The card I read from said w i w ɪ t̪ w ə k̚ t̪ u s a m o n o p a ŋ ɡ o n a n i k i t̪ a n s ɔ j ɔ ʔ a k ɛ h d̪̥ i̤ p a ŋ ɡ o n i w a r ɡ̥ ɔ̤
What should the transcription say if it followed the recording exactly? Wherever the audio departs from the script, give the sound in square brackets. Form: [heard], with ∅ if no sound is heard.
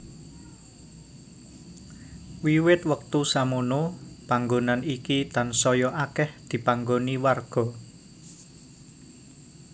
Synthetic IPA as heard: w i w ɪ t̪ w ə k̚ t̪ u s a m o n o p a ŋ ɡ o n a n i k i t̪ a n s ɔ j ɔ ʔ a k ɛ h d̪̥ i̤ p a ŋ ɡ o n i w a r ɡ̥ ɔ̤